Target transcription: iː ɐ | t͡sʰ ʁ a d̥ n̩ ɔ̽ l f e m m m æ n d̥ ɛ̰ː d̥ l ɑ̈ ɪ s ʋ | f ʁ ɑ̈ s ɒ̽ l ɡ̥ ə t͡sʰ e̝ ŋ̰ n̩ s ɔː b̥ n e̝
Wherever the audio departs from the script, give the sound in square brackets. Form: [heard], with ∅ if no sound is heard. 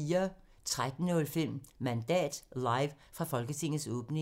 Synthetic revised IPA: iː ɐ | t͡sʰ ʁ a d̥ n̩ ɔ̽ l f e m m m æ n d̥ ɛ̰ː d̥ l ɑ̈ ɪ [∅] ʋ | f ʁ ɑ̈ [f] ɒ̽ l ɡ̥ ə t͡sʰ e̝ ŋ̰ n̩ s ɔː b̥ n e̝